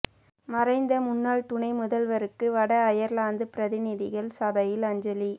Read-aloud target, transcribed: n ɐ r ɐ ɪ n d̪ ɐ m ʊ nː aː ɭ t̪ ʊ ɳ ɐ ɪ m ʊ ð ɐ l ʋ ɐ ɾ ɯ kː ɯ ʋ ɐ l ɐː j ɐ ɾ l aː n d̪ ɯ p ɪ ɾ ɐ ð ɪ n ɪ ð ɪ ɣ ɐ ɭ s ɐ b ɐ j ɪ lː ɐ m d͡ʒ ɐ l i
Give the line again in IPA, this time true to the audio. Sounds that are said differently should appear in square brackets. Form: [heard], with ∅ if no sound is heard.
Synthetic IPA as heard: [m] ɐ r ɐ ɪ n d̪ ɐ m ʊ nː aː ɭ t̪ ʊ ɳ ɐ ɪ m ʊ ð ɐ l ʋ ɐ ɾ ɯ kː ɯ ʋ ɐ [ɽ] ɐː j ɐ ɾ l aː n d̪ ɯ p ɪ ɾ ɐ ð ɪ n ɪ ð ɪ ɣ ɐ ɭ s ɐ b ɐ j ɪ [l] ɐ [ɲ] d͡ʒ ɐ l i

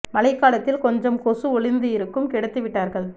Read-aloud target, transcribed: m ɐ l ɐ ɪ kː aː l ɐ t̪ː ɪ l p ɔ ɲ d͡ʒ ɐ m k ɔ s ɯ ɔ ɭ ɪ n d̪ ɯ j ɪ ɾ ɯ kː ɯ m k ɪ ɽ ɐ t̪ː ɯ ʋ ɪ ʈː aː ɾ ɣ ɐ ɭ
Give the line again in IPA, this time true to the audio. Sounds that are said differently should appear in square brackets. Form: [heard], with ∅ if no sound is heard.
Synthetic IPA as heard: m ɐ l ɐ ɪ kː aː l ɐ t̪ː ɪ l [k] ɔ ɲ d͡ʒ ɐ m k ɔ s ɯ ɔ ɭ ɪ n d̪ ɯ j ɪ ɾ ɯ kː ɯ m k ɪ ɽ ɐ t̪ː ɯ ʋ ɪ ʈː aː ɾ ɣ ɐ ɭ

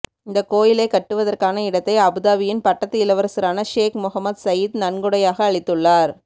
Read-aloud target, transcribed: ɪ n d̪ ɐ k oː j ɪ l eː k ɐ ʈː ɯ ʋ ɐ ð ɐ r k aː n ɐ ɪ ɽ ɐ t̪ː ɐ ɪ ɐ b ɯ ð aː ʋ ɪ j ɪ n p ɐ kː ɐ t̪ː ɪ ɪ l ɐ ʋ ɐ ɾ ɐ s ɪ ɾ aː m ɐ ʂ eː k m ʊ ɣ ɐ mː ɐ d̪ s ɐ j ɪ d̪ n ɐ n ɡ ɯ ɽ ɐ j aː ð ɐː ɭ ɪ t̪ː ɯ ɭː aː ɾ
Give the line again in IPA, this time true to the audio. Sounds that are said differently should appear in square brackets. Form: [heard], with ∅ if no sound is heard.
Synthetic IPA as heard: ɪ n d̪ ɐ k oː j ɪ l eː k ɐ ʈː ɯ ʋ ɐ ð ɐ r k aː n ɐ ɪ ɽ ɐ t̪ː ɐ ɪ ɐ b ɯ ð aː ʋ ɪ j ɪ n p ɐ [ʈː] ɐ t̪ː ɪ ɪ l ɐ ʋ ɐ ɾ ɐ s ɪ ɾ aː [n] ɐ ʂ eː k m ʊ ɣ ɐ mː ɐ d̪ s ɐ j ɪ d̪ n ɐ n ɡ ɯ ɽ ɐ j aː [ɣ] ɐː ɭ ɪ t̪ː ɯ ɭː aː ɾ

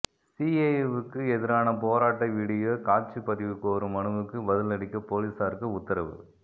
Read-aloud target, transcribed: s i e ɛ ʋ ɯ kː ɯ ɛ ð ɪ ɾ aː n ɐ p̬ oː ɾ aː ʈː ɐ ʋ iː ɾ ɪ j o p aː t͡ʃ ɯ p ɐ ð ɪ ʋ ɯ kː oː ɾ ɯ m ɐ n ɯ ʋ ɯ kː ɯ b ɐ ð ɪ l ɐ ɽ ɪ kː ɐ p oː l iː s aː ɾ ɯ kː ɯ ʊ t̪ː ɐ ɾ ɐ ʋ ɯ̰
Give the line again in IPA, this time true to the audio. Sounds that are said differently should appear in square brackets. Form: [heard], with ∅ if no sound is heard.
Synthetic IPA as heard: s i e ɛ ʋ ɯ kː ɯ ɛ ð ɪ ɾ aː n ɐ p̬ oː ɾ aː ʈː ɐ ʋ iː [ɽ] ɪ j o [k] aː t͡ʃ ɯ p ɐ ð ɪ ʋ ɯ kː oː ɾ ɯ m ɐ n ɯ ʋ ɯ kː ɯ b ɐ ð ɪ l ɐ ɽ ɪ kː ɐ p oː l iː s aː ɾ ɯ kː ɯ ʊ t̪ː ɐ ɾ ɐ ʋ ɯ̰

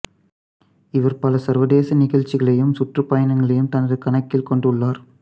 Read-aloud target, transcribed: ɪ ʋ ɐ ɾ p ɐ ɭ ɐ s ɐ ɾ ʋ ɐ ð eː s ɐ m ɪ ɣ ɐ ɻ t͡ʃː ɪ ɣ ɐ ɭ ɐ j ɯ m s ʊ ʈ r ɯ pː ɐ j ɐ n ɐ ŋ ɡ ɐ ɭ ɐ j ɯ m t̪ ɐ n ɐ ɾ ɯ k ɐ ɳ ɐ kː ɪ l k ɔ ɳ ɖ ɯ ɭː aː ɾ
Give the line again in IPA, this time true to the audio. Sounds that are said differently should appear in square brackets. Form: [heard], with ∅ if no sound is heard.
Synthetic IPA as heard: ɪ ʋ ɐ ɾ p ɐ [l] ɐ s ɐ ɾ ʋ ɐ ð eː s ɐ [n] ɪ ɣ ɐ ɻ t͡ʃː ɪ ɣ ɐ ɭ ɐ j ɯ m s ʊ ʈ r ɯ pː ɐ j ɐ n ɐ ŋ ɡ ɐ ɭ ɐ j ɯ m t̪ ɐ n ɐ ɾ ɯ k ɐ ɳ ɐ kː ɪ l k ɔ ɳ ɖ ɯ ɭː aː ɾ

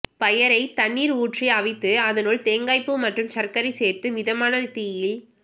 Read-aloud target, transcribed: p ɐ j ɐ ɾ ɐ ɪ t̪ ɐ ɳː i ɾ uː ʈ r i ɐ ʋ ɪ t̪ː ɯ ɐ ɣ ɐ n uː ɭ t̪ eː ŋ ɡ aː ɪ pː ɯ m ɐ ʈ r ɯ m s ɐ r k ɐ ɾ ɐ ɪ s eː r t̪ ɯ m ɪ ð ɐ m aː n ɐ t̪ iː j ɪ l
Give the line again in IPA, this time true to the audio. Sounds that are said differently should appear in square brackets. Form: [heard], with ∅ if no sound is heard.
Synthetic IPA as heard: p ɐ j ɐ ɾ ɐ ɪ t̪ ɐ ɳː [iː] ɾ uː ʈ r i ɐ ʋ ɪ t̪ː ɯ ɐ [ð] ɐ n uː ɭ t̪ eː ŋ ɡ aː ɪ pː ɯ m ɐ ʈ r ɯ m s ɐ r k ɐ ɾ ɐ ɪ s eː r t̪ ɯ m ɪ ð ɐ m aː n ɐ t̪ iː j ɪ l

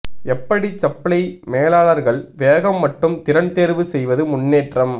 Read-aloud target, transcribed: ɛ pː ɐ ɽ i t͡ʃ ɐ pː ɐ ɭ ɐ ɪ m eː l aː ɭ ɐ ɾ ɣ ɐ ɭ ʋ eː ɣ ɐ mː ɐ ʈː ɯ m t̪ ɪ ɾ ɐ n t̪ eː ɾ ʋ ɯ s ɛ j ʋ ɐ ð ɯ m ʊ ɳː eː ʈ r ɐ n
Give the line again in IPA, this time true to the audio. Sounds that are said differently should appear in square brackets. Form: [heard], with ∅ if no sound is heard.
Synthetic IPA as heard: ɛ pː ɐ ɽ i t͡ʃ ɐ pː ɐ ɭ ɐ ɪ m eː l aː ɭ ɐ ɾ ɣ ɐ ɭ ʋ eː ɣ ɐ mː ɐ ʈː ɯ m t̪ ɪ ɾ ɐ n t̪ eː ɾ ʋ ɯ s ɛ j ʋ ɐ ð ɯ m ʊ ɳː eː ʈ r ɐ [m]

